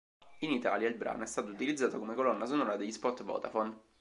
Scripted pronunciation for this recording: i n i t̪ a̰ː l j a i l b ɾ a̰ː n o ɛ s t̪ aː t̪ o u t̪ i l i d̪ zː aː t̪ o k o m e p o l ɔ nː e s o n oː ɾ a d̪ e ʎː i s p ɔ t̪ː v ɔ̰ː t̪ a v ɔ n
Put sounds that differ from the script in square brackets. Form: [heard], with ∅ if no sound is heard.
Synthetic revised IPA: i n i t̪ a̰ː l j a i l b ɾ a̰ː n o ɛ s t̪ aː t̪ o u t̪ i l i d̪ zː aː t̪ o k o m e [k] o l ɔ nː [a] s o n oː ɾ a d̪ e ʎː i s p ɔ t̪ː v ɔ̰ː t̪ a [f] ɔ n